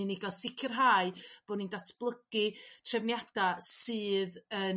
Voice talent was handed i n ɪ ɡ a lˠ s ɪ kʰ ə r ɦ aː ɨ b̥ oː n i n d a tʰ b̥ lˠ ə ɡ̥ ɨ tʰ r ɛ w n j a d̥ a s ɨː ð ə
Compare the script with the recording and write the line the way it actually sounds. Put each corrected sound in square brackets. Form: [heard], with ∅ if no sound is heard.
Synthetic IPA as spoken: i n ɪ ɡ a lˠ s ɪ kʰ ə r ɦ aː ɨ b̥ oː n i n d a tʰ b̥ lˠ ə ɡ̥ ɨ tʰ r ɛ [v] n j a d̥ a s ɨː ð ə